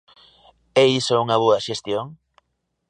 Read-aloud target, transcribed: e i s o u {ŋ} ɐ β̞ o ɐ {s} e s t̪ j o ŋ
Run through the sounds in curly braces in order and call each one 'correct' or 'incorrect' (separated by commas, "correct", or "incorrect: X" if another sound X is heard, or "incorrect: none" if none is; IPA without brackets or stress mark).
correct, incorrect: ʃ